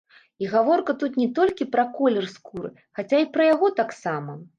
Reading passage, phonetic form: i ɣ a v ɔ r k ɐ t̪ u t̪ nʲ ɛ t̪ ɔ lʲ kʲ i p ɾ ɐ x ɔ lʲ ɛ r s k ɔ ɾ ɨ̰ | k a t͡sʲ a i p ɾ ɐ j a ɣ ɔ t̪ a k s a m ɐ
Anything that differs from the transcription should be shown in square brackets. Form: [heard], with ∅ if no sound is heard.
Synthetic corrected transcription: i ɣ a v ɔ r k ɐ t̪ u t̪ nʲ ɛ t̪ ɔ lʲ kʲ i p ɾ ɐ [k] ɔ lʲ ɛ r s k [u] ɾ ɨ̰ | [x] a t͡sʲ a i p ɾ ɐ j a ɣ ɔ t̪ a k s a m ɐ